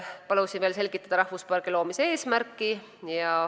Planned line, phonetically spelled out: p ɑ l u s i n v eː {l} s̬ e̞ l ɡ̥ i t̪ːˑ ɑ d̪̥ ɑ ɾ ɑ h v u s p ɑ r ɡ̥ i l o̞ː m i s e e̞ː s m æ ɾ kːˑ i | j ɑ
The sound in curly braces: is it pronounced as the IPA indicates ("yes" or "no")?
yes